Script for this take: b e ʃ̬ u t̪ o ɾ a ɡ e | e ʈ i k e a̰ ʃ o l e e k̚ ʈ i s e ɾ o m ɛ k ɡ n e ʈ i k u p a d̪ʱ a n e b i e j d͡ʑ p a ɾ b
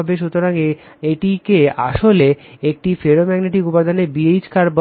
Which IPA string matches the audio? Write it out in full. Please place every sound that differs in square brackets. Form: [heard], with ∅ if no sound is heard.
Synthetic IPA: b e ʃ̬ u t̪ o ɾ a [ŋ] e | e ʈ i k e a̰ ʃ o l e e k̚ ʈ i [f] e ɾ o m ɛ [∅] ɡ n e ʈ i k u p a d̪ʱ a n e b i e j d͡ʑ [k] a ɾ b